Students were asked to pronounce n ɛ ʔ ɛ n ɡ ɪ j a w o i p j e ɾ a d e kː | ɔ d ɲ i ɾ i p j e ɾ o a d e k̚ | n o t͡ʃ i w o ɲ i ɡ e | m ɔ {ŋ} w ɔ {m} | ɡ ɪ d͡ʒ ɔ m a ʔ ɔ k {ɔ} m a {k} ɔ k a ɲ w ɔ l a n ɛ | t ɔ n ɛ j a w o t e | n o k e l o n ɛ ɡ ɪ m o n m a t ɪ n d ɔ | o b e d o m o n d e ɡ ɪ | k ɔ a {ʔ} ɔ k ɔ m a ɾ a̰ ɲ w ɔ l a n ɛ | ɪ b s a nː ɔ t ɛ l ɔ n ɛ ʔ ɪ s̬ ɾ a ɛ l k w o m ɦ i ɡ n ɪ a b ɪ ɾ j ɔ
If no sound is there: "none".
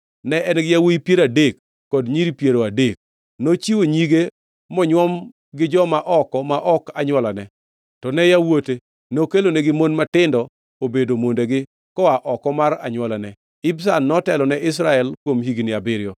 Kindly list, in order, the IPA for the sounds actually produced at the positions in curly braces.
ɲ, m, ɔ, ʔ, ʔ

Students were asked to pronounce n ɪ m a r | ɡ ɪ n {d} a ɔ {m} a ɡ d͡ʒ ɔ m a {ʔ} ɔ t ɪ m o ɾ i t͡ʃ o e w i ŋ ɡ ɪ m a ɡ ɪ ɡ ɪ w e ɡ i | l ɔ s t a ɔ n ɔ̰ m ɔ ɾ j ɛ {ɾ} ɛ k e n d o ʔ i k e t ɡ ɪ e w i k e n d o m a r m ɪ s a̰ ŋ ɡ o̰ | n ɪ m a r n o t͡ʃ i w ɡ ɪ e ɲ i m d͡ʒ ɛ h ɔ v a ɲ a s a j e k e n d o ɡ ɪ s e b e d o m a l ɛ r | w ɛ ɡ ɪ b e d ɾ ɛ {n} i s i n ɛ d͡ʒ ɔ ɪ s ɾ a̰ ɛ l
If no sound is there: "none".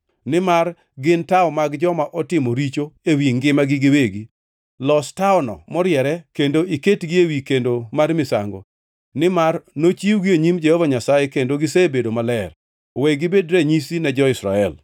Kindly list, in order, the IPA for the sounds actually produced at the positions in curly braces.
t, m, ʔ, ɾ, ɲ

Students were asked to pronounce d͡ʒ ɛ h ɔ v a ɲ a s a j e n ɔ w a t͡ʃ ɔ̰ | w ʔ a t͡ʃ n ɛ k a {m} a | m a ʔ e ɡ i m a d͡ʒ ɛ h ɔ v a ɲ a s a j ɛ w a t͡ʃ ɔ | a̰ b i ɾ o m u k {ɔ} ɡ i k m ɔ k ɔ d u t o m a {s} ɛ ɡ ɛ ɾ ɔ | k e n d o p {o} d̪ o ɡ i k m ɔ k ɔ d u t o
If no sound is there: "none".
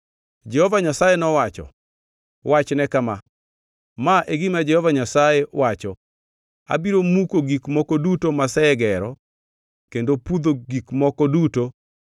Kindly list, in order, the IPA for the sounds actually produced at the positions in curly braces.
m, o, s, u

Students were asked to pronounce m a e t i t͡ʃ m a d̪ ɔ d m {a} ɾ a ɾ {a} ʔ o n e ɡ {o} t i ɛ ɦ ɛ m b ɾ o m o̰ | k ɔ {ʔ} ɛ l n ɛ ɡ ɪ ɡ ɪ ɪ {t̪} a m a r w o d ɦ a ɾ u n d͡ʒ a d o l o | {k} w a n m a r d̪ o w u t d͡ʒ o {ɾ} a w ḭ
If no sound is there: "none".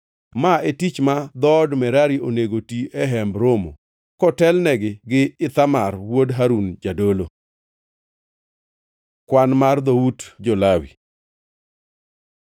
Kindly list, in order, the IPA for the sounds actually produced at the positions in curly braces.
ɛ, i, o, t, t̪, k, l

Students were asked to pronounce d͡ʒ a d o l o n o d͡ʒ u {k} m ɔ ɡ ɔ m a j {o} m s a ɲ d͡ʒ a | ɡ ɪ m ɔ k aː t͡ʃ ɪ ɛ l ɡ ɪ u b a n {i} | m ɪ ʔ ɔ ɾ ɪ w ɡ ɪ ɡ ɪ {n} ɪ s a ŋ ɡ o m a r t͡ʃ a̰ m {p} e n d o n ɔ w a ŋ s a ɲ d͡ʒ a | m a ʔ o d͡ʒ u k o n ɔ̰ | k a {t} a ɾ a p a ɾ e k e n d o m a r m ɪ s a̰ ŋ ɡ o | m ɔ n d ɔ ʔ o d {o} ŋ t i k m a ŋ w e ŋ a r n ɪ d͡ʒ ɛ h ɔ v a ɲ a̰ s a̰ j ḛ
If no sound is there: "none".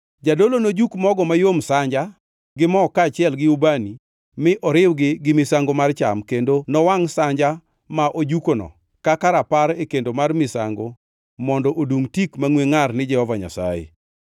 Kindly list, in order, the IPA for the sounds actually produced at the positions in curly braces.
k, o, i, m, k, k, u

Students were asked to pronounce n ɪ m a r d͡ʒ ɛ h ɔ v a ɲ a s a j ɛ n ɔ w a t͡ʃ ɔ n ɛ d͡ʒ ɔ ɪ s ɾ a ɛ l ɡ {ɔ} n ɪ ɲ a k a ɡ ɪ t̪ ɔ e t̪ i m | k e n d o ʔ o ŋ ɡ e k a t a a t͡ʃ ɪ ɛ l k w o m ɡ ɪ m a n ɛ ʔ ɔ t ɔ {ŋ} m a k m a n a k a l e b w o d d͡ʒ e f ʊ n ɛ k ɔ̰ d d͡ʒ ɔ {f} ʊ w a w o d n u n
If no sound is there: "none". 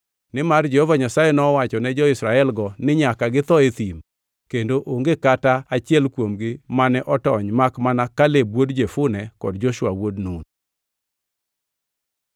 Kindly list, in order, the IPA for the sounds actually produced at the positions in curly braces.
ɔ, ɲ, ʃ

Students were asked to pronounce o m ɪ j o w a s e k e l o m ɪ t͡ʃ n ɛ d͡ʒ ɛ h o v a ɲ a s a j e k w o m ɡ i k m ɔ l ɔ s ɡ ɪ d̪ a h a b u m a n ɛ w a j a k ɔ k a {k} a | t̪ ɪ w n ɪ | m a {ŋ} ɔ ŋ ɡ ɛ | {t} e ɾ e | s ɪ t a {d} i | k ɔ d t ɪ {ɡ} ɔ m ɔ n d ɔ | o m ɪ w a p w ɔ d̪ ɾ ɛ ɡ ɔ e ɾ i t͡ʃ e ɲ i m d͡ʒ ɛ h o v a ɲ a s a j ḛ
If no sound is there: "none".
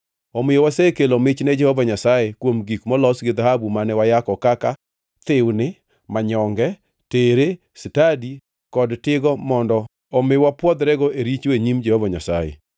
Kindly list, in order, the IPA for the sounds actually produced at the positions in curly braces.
k, ɲ, t, d, ɡ

